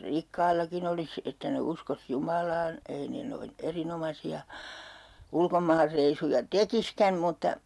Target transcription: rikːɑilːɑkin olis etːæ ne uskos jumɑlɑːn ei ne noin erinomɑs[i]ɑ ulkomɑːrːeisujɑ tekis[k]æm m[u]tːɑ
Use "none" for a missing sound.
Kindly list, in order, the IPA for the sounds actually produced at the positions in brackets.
i, k, u

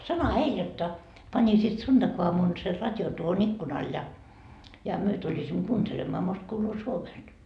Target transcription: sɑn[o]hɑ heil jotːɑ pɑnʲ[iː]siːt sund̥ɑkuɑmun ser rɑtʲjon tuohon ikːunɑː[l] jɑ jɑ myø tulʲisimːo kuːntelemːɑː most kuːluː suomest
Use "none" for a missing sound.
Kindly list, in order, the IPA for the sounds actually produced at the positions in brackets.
o, i, l

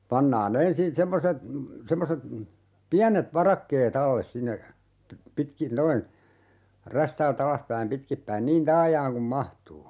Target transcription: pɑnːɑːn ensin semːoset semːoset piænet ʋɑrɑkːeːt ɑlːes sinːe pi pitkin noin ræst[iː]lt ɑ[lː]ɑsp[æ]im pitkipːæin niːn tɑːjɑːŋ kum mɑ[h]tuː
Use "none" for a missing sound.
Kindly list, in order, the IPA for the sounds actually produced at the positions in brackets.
æː, l, æ, h

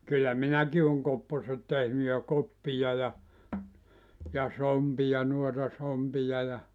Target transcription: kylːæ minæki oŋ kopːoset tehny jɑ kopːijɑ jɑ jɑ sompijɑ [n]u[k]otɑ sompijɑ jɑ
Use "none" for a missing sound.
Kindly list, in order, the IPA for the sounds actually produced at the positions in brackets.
n, none

